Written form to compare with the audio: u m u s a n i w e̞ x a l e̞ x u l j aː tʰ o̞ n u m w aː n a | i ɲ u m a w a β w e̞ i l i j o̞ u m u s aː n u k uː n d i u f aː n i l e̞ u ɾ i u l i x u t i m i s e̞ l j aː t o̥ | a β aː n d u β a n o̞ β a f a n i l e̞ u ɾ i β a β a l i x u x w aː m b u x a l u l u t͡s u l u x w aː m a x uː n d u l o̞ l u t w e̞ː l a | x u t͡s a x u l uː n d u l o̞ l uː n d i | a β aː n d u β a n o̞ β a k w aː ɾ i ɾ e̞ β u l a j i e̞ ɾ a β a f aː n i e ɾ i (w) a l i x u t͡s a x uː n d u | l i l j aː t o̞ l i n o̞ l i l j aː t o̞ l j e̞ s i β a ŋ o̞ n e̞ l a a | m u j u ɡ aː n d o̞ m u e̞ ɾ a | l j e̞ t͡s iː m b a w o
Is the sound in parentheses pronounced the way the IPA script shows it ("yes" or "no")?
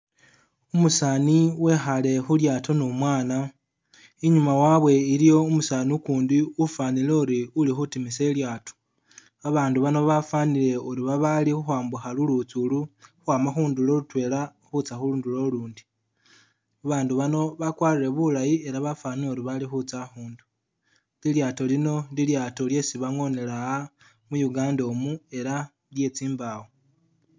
no